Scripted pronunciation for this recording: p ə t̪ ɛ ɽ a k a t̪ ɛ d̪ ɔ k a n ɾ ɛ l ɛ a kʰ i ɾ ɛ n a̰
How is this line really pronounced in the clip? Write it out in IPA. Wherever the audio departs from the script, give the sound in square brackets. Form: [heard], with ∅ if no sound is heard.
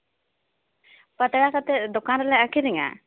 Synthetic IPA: p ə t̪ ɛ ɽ a k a t̪ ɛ d̪ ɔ k a n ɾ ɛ l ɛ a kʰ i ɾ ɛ [ŋ] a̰